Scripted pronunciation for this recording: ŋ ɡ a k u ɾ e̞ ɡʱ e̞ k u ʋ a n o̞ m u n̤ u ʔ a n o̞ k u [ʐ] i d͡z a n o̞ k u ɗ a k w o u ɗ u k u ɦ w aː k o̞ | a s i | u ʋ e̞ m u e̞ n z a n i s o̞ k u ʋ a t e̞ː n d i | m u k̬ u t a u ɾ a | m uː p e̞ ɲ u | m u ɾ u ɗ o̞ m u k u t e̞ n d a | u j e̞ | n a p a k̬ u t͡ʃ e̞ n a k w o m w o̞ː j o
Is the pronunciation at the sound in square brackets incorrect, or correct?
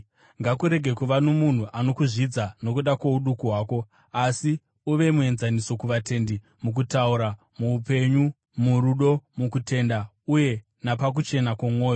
correct